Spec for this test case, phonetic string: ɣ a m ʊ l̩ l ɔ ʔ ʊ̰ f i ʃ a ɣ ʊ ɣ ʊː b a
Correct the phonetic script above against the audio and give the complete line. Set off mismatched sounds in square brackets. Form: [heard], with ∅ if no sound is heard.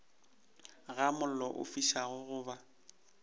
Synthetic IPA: ɣ a m ʊ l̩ l ɔ ʔ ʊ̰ f i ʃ a ɣ ʊ ɣ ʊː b a